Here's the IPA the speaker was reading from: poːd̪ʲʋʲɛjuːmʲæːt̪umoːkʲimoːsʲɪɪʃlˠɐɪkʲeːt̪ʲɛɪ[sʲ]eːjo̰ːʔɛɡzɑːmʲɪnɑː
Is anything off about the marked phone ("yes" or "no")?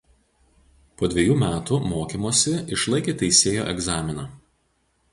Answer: no